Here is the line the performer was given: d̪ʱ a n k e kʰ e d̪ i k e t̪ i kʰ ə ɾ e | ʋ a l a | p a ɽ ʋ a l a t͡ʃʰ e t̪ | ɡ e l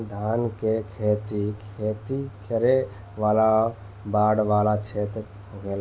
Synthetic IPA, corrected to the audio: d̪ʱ a n k e kʰ e t̪ i kʰ e t̪ i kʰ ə ɾ e | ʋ a l a | b a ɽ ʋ a l a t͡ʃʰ e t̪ | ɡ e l